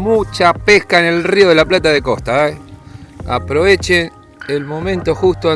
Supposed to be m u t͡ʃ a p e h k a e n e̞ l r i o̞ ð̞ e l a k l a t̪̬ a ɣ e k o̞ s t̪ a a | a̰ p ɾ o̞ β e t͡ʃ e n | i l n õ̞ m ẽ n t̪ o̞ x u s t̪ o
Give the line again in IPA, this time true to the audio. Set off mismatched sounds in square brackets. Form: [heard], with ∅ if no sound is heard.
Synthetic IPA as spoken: m u t͡ʃ a p e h k a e n e̞ l r i o̞ ð̞ e l a [p] l a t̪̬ a [ð] e k o̞ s t̪ a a | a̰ p ɾ o̞ β e t͡ʃ e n | [e] l [m] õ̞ m ẽ n t̪ o̞ x u s t̪ o